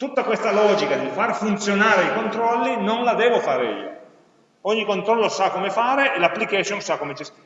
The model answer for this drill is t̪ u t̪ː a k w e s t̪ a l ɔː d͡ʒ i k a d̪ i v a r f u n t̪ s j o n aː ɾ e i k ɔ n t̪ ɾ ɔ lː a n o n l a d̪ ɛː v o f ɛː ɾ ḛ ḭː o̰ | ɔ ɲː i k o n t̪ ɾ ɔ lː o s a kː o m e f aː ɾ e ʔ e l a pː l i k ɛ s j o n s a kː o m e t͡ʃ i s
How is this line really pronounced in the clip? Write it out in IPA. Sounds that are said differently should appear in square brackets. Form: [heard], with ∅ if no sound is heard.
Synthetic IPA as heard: t̪ u t̪ː a k w e s t̪ a l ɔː d͡ʒ i k a d̪ i [f] a r f u n t̪ s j o n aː ɾ e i k [o] n t̪ ɾ ɔ lː [i] n o n l a d̪ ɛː v o f [aː] ɾ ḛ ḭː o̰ | ɔ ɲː i k o n t̪ ɾ ɔ lː o s a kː o m e f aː ɾ e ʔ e l a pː l i k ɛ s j o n s a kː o m e t͡ʃ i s